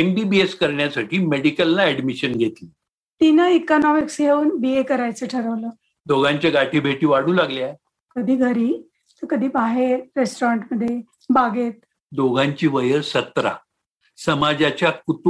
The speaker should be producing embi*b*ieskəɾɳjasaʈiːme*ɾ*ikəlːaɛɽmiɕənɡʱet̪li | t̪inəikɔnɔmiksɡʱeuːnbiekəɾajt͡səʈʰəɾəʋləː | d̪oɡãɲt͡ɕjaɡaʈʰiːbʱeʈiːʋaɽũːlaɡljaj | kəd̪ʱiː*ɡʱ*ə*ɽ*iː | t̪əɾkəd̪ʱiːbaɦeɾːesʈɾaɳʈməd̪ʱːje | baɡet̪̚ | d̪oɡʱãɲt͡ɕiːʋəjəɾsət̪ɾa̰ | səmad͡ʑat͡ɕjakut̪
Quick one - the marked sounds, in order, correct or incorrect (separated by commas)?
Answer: correct, incorrect, correct, incorrect